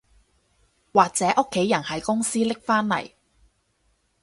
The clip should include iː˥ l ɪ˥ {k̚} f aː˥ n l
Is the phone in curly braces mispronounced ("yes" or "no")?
no